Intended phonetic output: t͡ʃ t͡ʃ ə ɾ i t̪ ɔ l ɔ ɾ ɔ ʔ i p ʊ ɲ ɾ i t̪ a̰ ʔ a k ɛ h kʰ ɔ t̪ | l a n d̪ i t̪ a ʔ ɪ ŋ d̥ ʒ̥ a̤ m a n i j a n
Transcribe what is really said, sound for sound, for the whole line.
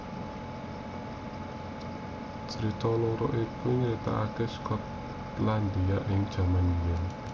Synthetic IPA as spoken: t͡ʃ t͡ʃ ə ɾ i t̪ ɔ l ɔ ɾ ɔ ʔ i p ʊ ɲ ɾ i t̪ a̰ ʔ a k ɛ s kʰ ɔ t̪ | l a n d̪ i a ʔ ɪ ŋ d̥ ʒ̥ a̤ m a n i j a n